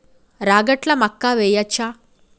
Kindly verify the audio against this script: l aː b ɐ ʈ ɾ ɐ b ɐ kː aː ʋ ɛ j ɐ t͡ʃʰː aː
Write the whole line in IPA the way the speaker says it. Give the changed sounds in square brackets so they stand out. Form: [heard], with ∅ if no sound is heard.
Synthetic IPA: [ɾ] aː [ɡ] ɐ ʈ [l] ɐ [m] ɐ kː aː ʋ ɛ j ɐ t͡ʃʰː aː